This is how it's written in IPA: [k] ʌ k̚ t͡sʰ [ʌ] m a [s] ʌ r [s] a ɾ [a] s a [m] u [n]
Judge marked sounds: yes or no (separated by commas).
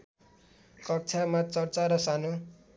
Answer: yes, no, no, no, no, no, no